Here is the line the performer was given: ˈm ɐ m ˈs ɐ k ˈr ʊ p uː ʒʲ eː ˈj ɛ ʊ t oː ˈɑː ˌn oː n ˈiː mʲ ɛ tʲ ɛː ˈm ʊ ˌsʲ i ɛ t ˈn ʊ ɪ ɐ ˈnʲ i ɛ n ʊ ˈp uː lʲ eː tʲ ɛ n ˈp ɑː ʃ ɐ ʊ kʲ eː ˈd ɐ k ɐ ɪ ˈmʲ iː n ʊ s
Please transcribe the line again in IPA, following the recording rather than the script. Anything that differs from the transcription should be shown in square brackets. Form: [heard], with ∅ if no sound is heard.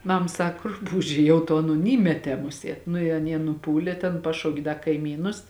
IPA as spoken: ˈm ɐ m ˈs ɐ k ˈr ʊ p uː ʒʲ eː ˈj ɛ ʊ t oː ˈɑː ˌn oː n ˈiː mʲ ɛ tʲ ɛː ˈm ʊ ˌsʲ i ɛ t ˈn ʊ ɪ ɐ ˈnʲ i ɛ n ʊ ˈp uː lʲ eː tʲ ɛ n ˈp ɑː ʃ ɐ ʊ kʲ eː ˈd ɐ k ɐ ɪ ˈmʲ iː n ʊ s